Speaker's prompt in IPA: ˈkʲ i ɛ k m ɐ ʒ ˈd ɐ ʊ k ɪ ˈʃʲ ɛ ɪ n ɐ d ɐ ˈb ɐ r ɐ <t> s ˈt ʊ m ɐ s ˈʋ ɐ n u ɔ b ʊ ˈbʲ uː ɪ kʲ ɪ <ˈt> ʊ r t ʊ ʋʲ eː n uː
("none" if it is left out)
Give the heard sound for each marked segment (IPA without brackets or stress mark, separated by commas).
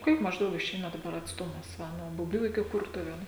t, k